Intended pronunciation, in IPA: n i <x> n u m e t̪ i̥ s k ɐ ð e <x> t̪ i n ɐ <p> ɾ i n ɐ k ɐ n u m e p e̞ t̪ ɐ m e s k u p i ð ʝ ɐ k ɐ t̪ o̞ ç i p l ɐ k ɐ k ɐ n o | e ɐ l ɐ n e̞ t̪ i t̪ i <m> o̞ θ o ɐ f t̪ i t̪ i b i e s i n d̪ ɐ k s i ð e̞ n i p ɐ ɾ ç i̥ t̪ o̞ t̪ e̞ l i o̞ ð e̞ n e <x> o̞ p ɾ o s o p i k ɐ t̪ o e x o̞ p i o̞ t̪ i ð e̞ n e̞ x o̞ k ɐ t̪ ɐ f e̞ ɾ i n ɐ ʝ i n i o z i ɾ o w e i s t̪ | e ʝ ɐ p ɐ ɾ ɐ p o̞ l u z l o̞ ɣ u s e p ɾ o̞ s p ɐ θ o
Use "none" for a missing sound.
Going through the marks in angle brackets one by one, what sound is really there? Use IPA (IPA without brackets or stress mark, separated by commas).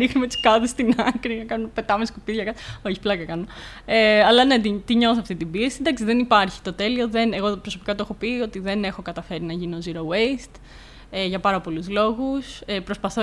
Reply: x, s, k, ɲ, ɣ